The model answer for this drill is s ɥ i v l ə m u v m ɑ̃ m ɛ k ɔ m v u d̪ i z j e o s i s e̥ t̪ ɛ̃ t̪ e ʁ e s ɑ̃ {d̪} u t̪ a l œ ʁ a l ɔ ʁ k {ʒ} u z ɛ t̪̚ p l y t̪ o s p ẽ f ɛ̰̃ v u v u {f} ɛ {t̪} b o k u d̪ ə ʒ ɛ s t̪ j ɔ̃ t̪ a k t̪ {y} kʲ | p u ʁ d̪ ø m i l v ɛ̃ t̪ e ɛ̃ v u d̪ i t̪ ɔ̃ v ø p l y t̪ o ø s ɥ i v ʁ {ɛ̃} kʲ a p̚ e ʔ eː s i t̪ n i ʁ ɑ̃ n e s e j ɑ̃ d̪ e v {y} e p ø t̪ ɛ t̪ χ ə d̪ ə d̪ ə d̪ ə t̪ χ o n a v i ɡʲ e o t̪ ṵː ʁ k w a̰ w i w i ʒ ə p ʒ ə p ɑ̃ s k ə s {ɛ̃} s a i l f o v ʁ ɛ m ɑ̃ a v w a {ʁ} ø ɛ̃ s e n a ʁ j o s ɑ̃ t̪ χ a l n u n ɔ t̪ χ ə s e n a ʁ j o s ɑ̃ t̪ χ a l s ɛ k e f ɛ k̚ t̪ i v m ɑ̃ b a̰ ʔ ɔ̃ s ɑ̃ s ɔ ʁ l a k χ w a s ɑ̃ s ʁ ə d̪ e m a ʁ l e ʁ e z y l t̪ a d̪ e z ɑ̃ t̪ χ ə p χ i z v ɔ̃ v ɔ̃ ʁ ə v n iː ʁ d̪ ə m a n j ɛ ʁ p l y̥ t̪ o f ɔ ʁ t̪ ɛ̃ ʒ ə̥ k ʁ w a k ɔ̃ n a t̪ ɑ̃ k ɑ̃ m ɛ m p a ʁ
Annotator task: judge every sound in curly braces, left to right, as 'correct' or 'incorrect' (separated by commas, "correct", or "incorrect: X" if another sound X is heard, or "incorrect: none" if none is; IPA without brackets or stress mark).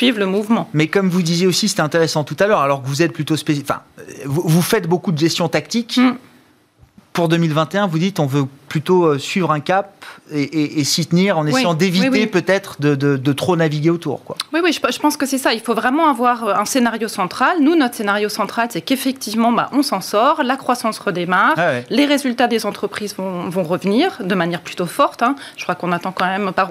incorrect: t̪, incorrect: v, correct, correct, incorrect: i, correct, incorrect: i, incorrect: ɛ, correct